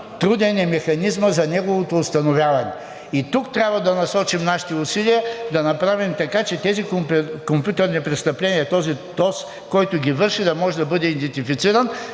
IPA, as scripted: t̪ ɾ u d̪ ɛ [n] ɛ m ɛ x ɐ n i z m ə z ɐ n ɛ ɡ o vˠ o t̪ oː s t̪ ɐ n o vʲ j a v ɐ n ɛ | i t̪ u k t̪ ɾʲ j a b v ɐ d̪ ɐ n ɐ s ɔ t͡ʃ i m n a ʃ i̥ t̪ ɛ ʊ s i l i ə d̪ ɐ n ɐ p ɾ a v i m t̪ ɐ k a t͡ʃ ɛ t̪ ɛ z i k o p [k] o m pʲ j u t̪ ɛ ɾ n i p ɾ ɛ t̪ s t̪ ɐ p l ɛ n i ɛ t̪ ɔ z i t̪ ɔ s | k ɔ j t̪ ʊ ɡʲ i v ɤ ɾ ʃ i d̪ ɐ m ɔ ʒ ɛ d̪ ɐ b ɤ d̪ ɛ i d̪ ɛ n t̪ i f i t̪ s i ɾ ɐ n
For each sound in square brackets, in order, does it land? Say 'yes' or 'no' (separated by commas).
yes, yes